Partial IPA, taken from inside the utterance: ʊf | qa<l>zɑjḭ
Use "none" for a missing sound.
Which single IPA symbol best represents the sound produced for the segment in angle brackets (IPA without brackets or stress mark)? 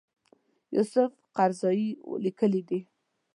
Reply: ɾ